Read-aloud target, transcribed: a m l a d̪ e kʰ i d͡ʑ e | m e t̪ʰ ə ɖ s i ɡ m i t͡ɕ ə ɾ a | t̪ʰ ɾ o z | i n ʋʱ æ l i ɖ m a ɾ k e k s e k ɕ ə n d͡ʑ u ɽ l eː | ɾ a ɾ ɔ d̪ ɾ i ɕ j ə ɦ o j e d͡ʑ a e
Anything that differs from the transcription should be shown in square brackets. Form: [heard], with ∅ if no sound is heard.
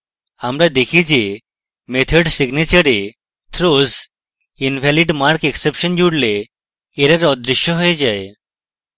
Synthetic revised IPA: a m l a d̪ e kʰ i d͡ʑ e | m e t̪ʰ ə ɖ s i ɡ [n] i t͡ɕ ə ɾ [e] | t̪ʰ ɾ o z | i n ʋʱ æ l i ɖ m a ɾ k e k s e [p] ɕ ə n d͡ʑ u ɽ l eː | ɾ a ɾ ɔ d̪ ɾ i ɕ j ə ɦ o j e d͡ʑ a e

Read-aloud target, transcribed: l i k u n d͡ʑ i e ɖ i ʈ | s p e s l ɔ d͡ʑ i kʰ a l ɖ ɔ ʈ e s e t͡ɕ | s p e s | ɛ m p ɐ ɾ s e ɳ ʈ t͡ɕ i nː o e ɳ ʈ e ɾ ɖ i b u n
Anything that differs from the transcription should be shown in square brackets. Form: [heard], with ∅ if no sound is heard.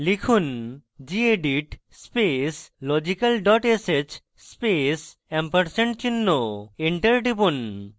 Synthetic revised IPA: l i [kʰ] u n d͡ʑ i e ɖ i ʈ | s p e s l ɔ d͡ʑ i [k] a l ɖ ɔ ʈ e s e t͡ɕ | s p e s | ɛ m p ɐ ɾ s e ɳ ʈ t͡ɕ i nː o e ɳ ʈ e ɾ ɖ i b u n

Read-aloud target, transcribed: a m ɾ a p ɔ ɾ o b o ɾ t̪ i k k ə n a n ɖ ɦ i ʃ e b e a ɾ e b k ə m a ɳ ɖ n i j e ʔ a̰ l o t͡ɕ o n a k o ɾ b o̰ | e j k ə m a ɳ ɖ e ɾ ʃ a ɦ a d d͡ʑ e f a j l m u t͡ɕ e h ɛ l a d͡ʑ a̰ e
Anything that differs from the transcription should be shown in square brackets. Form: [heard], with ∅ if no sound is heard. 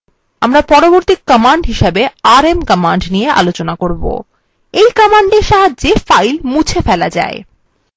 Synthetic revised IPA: a m ɾ a p ɔ ɾ o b o ɾ t̪ i k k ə [m] a [ɳ] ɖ ɦ i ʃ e b e a ɾ e [m] k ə m a ɳ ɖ n i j e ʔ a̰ l o t͡ɕ o n a k o ɾ b o̰ | e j k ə m a ɳ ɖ e ɾ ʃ a ɦ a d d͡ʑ e f a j l m u [t͡ɕʰ] e [f] ɛ l a d͡ʑ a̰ e

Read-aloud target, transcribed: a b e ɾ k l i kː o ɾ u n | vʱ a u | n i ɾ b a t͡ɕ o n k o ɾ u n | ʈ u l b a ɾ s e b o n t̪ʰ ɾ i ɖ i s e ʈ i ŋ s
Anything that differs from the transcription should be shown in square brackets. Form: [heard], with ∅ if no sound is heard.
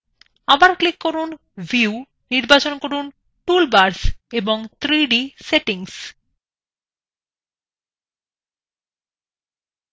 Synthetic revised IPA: a b [a] ɾ k l i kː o ɾ u n | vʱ [i] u | n i ɾ b a t͡ɕ o n k o ɾ u n | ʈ u l b a ɾ s e b o [ŋ] t̪ʰ ɾ i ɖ i s e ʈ i ŋ s

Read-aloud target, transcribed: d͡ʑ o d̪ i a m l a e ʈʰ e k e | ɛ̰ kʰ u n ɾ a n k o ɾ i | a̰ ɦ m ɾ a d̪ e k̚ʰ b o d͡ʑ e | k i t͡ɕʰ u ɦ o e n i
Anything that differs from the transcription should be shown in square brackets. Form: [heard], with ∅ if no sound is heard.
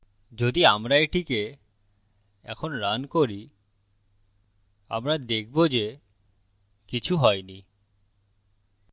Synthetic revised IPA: d͡ʑ o d̪ i a m [ɾ] a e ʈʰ [i] k e | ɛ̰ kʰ [o] n ɾ a n k o ɾ i | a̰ [∅] m ɾ a d̪ e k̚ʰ b o d͡ʑ e | k i t͡ɕʰ u ɦ [ɔ] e n i

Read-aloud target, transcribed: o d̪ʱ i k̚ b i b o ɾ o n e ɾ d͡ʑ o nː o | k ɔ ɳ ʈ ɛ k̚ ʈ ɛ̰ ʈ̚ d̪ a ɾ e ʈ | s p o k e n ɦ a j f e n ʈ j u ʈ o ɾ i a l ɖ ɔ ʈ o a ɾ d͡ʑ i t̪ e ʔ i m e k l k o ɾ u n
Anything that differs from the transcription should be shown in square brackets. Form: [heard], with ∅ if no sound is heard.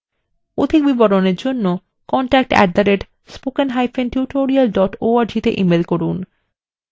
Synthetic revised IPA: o d̪ʱ i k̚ b i b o ɾ o n e ɾ d͡ʑ o nː o | k ɔ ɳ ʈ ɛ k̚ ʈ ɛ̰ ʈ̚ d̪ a ɾ e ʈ | s p o k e n ɦ a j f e n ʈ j u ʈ o ɾ i a l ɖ ɔ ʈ o a ɾ d͡ʑ i t̪ e ʔ i m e [∅] l k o ɾ u n

